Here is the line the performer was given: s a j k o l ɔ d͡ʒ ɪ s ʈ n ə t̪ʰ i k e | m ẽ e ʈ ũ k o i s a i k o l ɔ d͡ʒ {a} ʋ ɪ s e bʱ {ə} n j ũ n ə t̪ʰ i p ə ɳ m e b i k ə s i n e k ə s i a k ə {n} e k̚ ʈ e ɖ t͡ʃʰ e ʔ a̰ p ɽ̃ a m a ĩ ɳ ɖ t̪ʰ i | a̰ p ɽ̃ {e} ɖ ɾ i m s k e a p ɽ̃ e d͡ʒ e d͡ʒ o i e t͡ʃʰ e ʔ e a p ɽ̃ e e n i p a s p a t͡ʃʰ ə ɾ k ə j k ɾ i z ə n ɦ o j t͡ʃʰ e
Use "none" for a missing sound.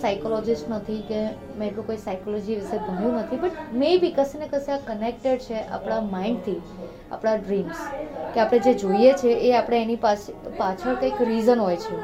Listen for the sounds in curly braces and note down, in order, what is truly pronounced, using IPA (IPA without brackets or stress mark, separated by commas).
i, ə, n, a